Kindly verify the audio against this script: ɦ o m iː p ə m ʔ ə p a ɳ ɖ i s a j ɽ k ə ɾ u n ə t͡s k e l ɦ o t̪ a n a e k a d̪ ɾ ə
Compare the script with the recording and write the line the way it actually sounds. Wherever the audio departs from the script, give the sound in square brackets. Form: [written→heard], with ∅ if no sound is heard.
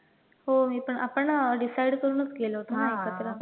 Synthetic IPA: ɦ o m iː p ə [m→ɳ] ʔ [ə→a] p [a→ə] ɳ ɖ i s a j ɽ k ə ɾ u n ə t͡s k e l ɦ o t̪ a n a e k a [d̪→t̪] ɾ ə